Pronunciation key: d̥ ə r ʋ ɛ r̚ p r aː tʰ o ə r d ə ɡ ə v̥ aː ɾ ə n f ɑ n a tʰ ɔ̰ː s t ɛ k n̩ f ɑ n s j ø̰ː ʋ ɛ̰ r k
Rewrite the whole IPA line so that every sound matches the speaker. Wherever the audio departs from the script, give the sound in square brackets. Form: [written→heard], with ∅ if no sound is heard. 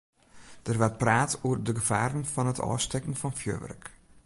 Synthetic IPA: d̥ ə r ʋ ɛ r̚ p r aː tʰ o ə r d ə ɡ ə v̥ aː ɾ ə n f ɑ n [a→ə] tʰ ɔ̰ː s t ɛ k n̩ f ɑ n [s→f] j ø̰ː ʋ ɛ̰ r k